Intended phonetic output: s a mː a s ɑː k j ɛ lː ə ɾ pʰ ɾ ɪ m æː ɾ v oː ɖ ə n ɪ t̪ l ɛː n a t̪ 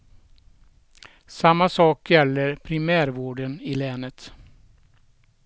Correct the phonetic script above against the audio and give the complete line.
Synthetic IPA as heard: s a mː a s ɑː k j ɛ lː ə ɾ pʰ ɾ ɪ m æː ɾ v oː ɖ ə n ɪ l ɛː n ə t̪